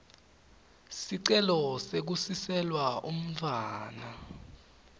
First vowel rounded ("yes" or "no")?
no